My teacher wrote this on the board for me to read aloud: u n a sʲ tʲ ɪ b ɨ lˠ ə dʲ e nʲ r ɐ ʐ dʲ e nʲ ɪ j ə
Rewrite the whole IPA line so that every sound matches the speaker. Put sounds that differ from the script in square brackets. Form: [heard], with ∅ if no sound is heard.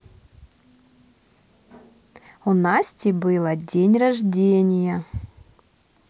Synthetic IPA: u n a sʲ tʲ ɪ b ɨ lˠ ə dʲ e nʲ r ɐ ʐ dʲ e nʲ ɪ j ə